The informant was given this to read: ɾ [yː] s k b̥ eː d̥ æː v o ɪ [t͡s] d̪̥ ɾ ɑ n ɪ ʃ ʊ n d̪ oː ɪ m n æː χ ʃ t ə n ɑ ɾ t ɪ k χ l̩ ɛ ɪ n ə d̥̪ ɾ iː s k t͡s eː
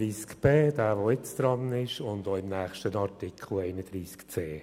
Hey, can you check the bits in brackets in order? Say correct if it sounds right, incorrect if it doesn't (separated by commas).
incorrect, correct